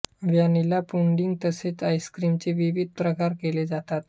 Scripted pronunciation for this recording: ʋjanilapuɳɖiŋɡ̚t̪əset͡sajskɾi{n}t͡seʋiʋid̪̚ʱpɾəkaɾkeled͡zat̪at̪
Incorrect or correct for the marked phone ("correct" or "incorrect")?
incorrect